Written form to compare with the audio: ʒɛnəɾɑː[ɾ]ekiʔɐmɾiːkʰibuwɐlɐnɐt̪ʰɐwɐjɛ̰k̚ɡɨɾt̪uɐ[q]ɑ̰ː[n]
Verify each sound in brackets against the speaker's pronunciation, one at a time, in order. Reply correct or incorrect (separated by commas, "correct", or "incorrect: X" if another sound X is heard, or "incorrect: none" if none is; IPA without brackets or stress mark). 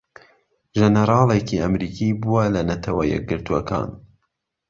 incorrect: l, incorrect: k, correct